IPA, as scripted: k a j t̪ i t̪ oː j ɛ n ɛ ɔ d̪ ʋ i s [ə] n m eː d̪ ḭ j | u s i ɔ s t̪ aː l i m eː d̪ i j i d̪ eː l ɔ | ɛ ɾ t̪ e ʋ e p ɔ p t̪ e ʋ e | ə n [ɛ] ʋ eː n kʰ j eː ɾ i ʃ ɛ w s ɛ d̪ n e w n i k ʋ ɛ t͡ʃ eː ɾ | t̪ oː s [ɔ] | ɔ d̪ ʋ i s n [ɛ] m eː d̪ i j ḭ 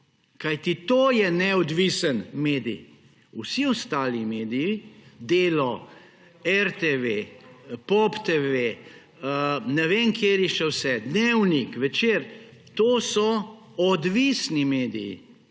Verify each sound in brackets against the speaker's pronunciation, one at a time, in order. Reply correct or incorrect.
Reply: correct, correct, correct, incorrect: i

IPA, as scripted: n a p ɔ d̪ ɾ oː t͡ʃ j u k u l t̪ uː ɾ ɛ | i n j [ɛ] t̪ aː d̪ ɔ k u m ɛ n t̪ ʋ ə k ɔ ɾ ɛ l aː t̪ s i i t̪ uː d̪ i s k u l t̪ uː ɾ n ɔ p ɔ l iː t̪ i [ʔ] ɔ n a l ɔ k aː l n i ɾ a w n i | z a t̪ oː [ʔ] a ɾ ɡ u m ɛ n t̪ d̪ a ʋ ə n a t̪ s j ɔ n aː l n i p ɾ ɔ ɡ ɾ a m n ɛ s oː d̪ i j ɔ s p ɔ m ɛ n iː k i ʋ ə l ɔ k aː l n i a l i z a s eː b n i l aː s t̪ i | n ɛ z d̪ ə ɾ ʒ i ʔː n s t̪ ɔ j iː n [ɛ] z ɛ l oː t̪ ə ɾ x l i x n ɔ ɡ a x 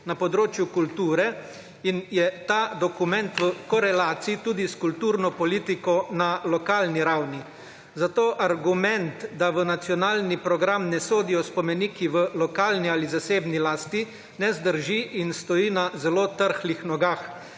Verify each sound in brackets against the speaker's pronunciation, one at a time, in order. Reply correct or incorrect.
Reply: correct, incorrect: k, correct, incorrect: a

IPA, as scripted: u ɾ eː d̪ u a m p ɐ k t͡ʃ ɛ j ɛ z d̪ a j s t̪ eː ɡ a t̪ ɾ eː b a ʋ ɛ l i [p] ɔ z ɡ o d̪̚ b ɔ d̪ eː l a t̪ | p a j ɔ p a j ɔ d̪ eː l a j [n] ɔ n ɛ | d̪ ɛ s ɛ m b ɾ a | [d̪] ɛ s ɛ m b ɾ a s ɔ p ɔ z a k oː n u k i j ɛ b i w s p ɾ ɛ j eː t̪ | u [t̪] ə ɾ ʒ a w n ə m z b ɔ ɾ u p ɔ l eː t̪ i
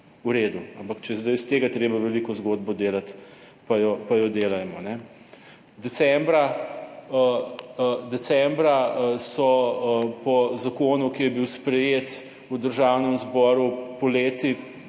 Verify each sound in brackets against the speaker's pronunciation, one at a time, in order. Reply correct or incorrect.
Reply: incorrect: k, incorrect: m, correct, incorrect: d̪

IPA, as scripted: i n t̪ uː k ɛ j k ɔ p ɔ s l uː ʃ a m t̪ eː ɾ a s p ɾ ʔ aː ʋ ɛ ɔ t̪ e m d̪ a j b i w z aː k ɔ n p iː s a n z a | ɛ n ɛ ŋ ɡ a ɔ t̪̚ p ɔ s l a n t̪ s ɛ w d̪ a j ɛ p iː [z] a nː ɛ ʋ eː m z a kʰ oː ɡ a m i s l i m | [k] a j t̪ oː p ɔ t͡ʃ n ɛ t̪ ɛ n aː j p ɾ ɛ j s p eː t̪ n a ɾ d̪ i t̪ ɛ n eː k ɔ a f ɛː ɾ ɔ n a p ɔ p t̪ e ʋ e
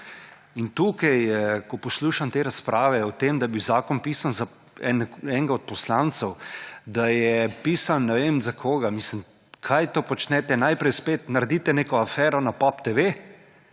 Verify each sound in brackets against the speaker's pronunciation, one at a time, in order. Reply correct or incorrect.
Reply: incorrect: s, incorrect: kʰ

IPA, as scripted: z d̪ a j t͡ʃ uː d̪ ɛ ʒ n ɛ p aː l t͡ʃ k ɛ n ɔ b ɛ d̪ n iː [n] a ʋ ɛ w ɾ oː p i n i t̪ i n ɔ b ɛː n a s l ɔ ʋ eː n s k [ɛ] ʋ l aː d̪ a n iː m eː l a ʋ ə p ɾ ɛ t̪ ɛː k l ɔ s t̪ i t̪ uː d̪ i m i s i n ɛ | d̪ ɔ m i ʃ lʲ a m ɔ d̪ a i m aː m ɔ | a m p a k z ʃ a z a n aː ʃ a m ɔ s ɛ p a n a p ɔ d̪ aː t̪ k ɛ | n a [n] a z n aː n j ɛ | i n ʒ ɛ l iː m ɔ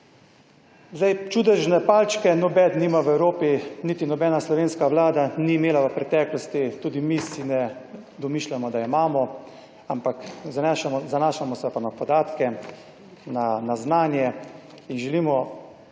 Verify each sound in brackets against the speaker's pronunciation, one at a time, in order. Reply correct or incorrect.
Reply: incorrect: m, incorrect: a, correct

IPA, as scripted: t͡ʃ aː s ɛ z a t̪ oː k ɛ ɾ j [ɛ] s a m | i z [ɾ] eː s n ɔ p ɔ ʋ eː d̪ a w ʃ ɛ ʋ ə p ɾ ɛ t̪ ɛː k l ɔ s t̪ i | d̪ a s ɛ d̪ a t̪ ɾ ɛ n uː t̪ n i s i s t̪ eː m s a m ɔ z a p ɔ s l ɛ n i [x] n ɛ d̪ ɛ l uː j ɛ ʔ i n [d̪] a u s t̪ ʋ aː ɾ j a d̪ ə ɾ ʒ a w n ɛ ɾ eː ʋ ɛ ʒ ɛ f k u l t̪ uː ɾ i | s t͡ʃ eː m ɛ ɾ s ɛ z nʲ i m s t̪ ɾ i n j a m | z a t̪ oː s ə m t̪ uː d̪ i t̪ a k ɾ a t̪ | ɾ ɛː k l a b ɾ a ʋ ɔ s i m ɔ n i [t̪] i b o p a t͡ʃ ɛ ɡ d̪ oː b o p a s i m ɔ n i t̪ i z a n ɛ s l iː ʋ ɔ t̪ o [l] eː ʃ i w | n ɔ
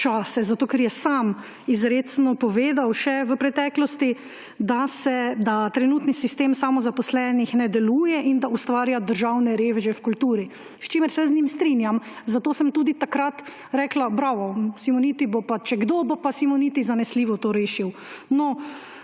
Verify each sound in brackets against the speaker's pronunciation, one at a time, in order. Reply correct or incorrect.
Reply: correct, correct, correct, correct, correct, incorrect: ɾ

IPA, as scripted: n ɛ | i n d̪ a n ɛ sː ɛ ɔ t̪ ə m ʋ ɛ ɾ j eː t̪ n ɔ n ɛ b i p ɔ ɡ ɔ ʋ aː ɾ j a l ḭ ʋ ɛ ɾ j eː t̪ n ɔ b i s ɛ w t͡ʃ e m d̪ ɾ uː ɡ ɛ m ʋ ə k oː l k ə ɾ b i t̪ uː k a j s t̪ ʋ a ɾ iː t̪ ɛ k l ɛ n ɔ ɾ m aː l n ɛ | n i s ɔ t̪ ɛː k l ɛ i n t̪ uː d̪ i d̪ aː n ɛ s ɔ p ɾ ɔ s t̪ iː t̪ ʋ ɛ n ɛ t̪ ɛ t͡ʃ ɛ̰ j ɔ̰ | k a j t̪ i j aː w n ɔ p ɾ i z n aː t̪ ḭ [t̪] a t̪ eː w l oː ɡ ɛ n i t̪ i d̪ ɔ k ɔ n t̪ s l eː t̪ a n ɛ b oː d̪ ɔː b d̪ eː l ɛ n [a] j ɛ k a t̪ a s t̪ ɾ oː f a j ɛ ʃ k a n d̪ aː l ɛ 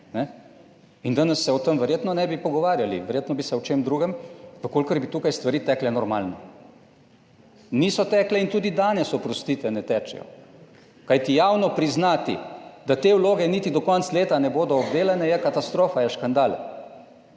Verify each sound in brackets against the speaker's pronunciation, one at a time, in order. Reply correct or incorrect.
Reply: incorrect: d̪, incorrect: ɛ

